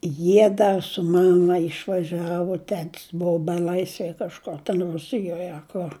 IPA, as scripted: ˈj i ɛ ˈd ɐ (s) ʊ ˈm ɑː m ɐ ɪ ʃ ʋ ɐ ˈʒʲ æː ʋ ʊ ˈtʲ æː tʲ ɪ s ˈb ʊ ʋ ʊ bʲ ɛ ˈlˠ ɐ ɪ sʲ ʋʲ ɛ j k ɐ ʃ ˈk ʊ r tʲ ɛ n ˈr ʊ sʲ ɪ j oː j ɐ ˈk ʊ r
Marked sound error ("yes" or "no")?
no